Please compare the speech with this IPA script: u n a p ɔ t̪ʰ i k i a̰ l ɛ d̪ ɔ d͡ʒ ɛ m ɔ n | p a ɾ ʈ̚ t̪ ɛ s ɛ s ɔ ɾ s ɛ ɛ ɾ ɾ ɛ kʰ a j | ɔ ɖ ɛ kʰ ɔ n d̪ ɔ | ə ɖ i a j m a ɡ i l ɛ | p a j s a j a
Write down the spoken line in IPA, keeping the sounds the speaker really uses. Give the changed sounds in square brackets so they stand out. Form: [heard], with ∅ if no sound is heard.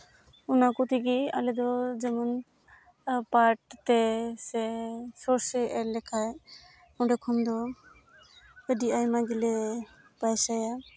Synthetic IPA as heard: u n a [k] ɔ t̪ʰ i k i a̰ l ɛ d̪ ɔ d͡ʒ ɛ m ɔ n | p a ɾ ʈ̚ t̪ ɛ s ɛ s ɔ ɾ s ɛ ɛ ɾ [l] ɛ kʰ a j | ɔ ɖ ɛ kʰ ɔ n d̪ ɔ | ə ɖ i a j m a ɡ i l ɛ | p a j s a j a